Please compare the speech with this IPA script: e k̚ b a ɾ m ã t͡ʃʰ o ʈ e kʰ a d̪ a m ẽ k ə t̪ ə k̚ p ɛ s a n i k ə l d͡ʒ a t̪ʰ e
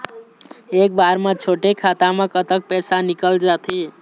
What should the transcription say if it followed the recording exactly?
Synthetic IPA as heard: e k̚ b a ɾ m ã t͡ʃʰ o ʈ e kʰ a t̪ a m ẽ k ə t̪ ə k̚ p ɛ s a n i k ə l d͡ʒ a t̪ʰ i